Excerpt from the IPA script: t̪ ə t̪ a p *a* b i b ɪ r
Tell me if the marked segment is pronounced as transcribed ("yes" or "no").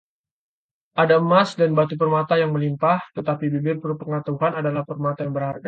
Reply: no